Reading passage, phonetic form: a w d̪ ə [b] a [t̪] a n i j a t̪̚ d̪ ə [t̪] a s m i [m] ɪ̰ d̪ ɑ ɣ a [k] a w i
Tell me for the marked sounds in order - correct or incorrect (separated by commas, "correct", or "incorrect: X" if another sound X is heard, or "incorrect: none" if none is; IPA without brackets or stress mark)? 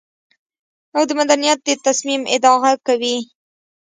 incorrect: m, incorrect: d̪, correct, correct, correct